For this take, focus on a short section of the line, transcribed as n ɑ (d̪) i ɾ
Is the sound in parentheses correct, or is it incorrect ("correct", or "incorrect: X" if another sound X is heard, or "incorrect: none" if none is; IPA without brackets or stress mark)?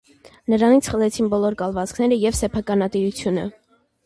incorrect: t̪